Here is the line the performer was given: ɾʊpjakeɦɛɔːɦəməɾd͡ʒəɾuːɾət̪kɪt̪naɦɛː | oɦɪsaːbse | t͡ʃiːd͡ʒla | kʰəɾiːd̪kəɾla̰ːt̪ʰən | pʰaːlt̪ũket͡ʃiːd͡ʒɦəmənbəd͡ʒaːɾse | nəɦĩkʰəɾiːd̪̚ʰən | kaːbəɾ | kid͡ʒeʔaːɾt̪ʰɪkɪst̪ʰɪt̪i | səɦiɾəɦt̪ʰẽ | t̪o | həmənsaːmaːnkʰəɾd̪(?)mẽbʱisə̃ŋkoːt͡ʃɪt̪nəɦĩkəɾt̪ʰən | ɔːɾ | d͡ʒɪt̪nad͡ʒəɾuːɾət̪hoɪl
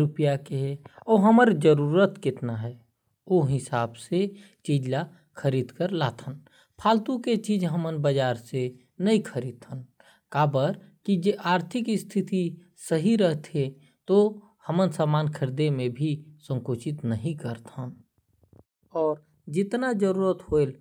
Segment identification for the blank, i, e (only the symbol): e